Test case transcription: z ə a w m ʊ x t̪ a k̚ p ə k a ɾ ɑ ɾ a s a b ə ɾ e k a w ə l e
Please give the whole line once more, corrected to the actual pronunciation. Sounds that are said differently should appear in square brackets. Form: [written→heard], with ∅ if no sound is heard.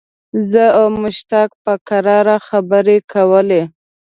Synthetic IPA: z ə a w m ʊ [x→ʃ] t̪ a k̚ p ə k a ɾ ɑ ɾ a [s→x] a b ə ɾ e k a w ə l e